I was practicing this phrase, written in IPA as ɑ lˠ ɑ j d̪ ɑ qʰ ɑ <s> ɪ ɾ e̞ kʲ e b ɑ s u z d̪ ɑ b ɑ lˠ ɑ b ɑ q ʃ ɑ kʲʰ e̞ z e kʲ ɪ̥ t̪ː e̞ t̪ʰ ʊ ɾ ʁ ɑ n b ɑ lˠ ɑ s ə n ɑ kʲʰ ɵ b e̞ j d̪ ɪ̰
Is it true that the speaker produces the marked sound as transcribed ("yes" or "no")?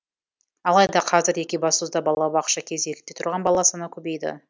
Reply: no